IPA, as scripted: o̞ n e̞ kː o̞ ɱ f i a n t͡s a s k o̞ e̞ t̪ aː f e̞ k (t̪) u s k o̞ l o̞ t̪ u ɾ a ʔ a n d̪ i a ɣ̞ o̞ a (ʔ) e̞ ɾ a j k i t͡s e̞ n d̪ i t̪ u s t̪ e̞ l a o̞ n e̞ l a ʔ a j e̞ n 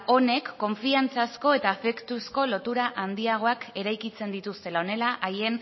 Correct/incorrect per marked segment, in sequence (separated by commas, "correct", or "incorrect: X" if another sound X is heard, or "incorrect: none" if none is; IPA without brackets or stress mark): correct, incorrect: k